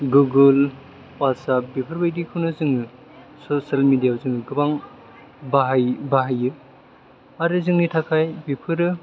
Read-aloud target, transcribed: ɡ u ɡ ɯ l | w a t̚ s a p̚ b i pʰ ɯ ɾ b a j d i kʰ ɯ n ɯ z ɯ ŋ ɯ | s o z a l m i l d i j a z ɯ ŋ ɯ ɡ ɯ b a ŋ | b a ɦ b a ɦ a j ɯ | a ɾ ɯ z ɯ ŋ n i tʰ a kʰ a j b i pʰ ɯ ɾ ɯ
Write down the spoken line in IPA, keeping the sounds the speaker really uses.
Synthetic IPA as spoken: ɡ u ɡ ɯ l | w a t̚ s a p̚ b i pʰ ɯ ɾ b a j d i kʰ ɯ n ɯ z ɯ ŋ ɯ | s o s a l m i d i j a z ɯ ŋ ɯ ɡ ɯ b a ŋ | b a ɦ b a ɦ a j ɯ | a ɾ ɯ z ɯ ŋ n i tʰ a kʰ a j b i pʰ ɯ ɾ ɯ